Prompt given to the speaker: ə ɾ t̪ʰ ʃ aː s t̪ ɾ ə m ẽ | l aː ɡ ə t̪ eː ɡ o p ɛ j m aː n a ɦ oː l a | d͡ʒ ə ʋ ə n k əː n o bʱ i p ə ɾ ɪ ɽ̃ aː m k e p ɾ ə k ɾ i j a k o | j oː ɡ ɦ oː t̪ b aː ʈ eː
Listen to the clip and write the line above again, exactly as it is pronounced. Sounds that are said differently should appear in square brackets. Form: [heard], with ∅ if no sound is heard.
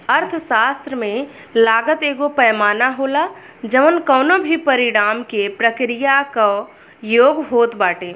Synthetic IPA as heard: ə ɾ t̪ʰ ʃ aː s t̪ ɾ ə m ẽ | l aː ɡ ə t̪ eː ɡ o p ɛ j m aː n a ɦ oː l a | d͡ʒ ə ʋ ə n k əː n o bʱ i p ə ɾ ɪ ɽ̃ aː m k e p ɾ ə k ɾ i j a k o | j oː ɡ ɦ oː t̪ b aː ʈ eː

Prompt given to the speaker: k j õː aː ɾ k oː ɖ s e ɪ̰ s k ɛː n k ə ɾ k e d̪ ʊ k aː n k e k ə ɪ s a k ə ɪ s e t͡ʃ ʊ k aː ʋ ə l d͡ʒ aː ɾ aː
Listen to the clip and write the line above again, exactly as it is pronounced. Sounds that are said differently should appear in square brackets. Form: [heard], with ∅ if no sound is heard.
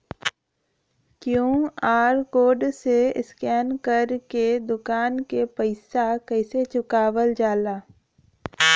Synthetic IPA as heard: k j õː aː ɾ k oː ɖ s e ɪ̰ s k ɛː n k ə ɾ k e d̪ ʊ k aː n k e [p] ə ɪ s a k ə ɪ s e t͡ʃ ʊ k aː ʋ ə l d͡ʒ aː [l] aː

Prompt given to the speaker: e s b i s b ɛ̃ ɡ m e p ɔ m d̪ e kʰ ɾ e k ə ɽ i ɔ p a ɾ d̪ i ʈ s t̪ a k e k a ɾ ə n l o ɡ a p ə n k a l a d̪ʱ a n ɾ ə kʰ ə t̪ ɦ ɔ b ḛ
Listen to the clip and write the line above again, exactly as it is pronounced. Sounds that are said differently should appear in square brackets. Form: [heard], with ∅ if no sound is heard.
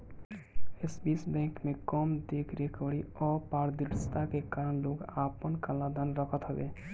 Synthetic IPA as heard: e s b i s b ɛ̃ [k] m e [k] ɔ m d̪ e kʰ ɾ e k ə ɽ i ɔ p a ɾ d̪ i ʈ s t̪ a k e k a ɾ ə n l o ɡ a p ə n k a l a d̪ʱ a n ɾ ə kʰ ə t̪ ɦ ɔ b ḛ

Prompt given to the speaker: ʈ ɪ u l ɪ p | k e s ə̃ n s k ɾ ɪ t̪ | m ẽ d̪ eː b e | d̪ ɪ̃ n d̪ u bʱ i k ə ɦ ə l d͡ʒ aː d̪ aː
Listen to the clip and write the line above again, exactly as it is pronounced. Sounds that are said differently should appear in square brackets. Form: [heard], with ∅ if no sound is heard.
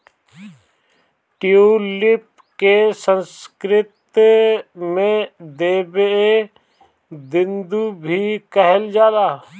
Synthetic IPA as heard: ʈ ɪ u l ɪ p | k e s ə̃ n s k ɾ ɪ t̪ | m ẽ d̪ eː b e | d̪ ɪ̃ n d̪ u bʱ i k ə ɦ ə l d͡ʒ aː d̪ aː

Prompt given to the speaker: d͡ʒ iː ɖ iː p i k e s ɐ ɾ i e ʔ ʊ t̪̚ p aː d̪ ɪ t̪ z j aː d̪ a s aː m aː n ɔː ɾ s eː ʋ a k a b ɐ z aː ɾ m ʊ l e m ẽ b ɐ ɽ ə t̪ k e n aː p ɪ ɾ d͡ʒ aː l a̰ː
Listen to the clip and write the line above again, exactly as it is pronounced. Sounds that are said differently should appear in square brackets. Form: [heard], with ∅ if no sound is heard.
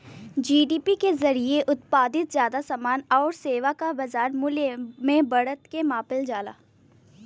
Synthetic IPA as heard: d͡ʒ iː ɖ iː p i k e [z] ɐ ɾ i e ʔ ʊ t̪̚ p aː d̪ ɪ t̪ z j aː d̪ a s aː m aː n ɔː ɾ s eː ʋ a k a b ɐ z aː ɾ m ʊ l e m ẽ b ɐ ɽ ə t̪ k e [m] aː p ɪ [l] d͡ʒ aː l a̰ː

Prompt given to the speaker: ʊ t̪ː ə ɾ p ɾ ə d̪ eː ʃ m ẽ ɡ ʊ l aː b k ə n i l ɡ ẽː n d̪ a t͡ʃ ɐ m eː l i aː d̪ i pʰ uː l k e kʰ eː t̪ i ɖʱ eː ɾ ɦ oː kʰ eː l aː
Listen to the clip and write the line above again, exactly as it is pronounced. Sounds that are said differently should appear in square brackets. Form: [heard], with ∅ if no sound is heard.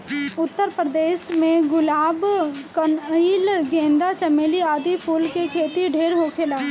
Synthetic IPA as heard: ʊ t̪ː ə ɾ p ɾ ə d̪ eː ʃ m ẽ ɡ ʊ l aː b k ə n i l ɡ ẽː n d̪ a t͡ʃ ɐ m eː l i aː d̪ i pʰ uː l k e kʰ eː t̪ i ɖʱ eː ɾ ɦ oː kʰ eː l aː

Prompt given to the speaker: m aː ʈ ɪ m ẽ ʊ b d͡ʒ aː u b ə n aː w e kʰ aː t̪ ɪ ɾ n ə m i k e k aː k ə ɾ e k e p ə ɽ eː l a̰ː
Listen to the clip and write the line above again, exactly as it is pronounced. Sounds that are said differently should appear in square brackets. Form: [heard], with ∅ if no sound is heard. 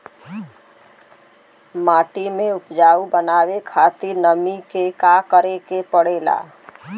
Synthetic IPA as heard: m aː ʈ [i] m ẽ ʊ [p] d͡ʒ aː u b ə n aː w e kʰ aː t̪ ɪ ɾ n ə m i k e k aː k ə ɾ e k e p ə ɽ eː l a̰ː

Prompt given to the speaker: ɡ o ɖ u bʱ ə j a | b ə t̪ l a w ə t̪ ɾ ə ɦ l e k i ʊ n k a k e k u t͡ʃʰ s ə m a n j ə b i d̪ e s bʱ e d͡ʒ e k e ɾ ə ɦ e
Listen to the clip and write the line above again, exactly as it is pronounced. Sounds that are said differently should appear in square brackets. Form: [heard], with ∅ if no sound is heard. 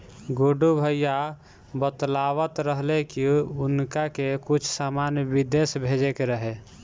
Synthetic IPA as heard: ɡ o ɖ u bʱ ə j a | b ə t̪ l a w ə t̪ ɾ ə ɦ l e k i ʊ n k a k e k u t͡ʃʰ s [a] m a n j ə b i d̪ e s bʱ e d͡ʒ e k e ɾ ə ɦ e

